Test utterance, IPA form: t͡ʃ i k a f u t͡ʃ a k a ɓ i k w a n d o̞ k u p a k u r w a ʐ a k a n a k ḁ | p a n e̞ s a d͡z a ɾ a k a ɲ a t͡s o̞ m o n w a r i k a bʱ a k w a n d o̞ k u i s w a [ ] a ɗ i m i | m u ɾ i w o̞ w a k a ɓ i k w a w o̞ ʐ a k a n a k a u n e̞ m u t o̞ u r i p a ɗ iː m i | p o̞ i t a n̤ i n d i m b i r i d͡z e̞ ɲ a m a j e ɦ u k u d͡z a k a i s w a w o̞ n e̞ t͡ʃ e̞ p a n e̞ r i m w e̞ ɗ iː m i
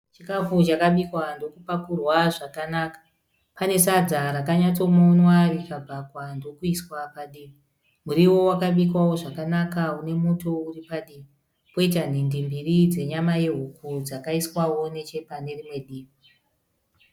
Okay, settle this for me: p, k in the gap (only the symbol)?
p